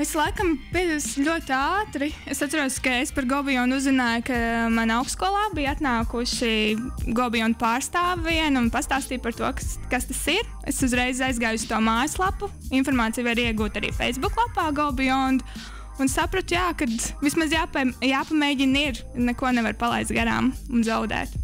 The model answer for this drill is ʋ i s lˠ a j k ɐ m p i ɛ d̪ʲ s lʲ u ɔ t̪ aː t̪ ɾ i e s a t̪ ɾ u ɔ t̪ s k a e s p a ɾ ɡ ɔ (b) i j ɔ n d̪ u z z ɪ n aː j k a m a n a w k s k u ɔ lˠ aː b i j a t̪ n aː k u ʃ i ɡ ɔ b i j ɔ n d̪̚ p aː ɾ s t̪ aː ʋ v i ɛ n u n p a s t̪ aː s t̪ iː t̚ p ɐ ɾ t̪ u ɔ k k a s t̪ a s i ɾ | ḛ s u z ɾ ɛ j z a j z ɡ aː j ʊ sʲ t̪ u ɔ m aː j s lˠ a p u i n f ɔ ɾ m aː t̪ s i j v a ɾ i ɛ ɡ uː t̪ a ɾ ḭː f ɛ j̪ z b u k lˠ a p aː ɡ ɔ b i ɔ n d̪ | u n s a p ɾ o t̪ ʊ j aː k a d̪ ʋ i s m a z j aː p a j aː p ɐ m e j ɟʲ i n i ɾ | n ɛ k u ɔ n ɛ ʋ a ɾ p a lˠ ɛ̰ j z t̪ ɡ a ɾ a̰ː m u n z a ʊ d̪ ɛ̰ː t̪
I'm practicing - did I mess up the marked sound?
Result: no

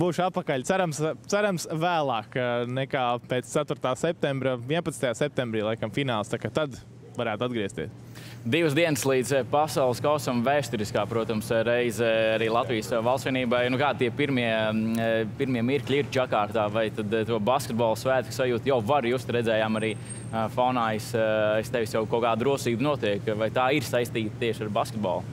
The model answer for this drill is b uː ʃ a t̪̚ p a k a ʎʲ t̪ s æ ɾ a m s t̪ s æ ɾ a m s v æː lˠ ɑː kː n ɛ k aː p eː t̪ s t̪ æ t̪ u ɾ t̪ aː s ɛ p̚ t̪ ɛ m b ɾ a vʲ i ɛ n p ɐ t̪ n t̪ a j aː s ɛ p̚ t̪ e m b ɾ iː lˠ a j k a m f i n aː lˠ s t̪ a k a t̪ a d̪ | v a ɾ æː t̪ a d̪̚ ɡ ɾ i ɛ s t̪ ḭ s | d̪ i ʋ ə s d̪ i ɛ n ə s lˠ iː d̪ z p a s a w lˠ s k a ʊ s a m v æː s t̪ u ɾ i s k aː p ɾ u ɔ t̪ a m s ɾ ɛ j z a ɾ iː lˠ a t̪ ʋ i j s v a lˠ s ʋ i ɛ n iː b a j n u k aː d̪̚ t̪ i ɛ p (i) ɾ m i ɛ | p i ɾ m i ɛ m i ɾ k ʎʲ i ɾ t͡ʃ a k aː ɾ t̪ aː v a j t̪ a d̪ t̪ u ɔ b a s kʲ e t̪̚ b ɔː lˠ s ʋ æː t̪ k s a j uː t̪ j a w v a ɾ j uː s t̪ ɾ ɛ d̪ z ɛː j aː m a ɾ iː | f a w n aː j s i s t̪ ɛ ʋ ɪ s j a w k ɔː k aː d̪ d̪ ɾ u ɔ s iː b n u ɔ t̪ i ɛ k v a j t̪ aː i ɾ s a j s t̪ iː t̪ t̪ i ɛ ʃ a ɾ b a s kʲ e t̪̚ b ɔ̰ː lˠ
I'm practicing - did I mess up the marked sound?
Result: no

